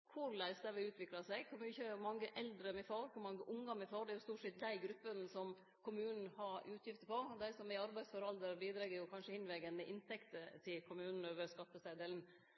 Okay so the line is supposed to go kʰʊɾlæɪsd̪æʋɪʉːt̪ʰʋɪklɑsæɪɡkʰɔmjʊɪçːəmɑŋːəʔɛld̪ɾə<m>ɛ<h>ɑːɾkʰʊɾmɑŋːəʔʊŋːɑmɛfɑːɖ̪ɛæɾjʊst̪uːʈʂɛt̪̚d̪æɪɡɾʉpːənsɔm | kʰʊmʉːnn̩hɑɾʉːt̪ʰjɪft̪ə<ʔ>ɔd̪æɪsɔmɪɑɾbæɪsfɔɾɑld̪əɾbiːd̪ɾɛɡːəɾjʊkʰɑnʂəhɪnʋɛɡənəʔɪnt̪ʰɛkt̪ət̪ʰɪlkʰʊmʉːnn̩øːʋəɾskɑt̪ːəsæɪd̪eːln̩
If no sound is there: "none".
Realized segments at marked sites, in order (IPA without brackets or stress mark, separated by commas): m, f, p